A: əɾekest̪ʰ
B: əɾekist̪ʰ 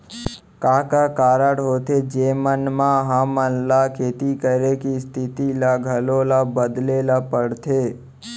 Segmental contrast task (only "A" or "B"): B